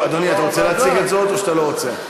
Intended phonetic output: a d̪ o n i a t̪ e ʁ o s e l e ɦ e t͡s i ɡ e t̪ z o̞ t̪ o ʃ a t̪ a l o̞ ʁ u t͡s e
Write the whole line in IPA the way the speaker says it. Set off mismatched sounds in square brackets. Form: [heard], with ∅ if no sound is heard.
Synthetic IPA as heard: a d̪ o n i a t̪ [a] ʁ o [t͡s] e l e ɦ [a] t͡s i ɡ e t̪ z o̞ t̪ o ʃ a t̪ a l o̞ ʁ [o] t͡s e